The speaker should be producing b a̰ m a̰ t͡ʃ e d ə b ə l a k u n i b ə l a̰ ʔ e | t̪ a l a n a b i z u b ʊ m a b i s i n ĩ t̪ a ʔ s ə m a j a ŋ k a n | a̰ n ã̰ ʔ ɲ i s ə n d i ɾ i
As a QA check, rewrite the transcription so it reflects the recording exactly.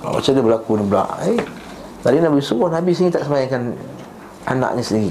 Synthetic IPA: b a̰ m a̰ t͡ʃ a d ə b ə l a k u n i b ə l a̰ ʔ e | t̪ a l i n a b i s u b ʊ n a b i s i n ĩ t̪ a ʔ s ə m a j a ŋ k a n | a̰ n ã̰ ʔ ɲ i s ə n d i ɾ i